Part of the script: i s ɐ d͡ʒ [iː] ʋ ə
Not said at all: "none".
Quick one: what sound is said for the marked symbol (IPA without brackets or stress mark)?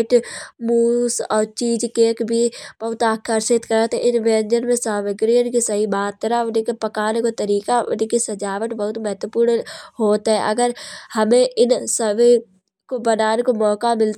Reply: aː